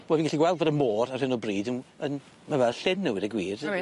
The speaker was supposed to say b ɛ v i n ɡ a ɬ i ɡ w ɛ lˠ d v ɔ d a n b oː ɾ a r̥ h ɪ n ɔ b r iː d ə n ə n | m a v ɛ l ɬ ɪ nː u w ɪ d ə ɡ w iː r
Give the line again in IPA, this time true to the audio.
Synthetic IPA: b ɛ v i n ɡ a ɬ i ɡ w ɛ lˠ d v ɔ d ə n m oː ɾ a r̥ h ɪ n ɔ b r iː d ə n ə n | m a v ɛ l ɬ ɪ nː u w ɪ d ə ɡ w iː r